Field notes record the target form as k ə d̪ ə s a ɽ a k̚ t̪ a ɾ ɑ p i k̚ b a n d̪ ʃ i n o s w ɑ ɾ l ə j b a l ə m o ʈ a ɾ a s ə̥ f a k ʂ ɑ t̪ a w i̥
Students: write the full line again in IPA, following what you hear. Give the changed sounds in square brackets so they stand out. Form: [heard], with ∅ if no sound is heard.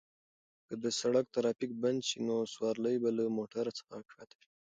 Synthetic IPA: k ə d̪ ə s a ɽ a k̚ t̪ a ɾ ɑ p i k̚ b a n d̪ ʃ i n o s w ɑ ɾ l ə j b a l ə m o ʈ a ɾ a [t͡s] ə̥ [x] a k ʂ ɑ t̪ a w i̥